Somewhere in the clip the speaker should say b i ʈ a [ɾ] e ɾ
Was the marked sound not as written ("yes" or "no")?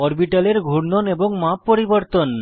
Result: yes